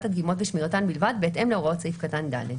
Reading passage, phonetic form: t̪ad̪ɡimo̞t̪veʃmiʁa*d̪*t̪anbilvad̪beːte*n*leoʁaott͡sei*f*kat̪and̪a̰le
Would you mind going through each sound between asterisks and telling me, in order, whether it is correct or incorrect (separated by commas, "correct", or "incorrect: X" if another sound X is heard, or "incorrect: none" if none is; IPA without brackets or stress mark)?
incorrect: none, incorrect: m, correct